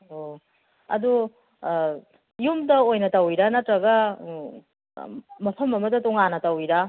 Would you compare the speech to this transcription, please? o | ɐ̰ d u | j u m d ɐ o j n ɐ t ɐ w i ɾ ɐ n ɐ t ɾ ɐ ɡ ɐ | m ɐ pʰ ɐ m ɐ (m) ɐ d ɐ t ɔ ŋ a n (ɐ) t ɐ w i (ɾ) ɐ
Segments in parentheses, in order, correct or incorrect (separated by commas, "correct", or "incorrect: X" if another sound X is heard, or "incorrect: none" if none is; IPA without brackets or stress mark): correct, correct, correct